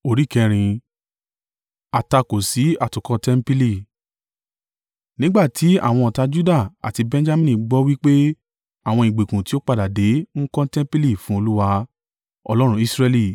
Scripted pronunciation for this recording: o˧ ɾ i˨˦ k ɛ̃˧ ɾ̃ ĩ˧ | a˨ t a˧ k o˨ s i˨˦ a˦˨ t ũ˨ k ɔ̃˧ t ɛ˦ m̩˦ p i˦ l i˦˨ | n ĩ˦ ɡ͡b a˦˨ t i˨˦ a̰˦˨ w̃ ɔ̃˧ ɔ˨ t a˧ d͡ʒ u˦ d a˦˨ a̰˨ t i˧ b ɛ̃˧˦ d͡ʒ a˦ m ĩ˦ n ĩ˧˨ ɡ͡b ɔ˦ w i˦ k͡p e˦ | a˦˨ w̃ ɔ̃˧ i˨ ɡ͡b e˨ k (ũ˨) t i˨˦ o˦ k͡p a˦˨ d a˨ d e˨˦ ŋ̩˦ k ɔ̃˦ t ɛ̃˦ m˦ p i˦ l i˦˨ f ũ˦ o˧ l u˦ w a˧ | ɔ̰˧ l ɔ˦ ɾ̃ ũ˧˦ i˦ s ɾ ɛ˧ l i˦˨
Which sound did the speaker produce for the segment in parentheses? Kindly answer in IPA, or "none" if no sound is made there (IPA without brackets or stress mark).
ũ˨